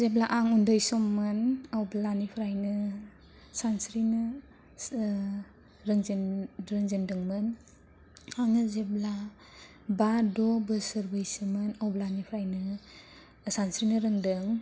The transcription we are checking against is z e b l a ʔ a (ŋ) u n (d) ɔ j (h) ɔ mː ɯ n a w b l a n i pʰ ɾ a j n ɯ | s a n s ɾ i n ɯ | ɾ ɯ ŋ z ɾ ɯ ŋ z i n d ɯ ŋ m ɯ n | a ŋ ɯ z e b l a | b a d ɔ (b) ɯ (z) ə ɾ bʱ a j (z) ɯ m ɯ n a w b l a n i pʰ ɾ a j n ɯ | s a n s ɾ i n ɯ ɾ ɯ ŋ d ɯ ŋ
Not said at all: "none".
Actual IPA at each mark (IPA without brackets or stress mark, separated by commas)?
ŋ, d, s, b, s, s